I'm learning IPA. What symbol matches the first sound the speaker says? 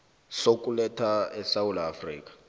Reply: s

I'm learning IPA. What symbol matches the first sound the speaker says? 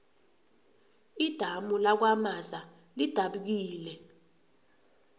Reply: i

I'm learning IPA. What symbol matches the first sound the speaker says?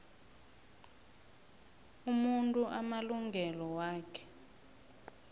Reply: u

